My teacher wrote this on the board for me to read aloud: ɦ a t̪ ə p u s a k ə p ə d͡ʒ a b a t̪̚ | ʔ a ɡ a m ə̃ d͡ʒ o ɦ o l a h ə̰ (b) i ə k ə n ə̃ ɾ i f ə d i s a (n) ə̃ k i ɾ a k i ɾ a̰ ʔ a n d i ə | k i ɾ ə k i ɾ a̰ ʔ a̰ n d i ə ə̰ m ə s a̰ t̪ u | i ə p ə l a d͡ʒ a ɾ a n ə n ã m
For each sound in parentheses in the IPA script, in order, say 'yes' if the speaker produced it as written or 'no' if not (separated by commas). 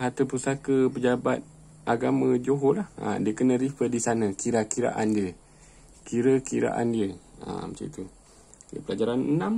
no, yes